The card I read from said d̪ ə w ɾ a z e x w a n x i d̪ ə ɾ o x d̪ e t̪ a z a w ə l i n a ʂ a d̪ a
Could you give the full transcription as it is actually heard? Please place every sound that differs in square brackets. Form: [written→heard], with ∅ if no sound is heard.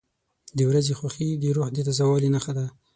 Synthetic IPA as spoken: d̪ ə w ɾ a z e x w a [n→∅] x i d̪ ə ɾ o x d̪ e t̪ a z a w [ə→ɑ] l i n a [ʂ→x] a d̪ a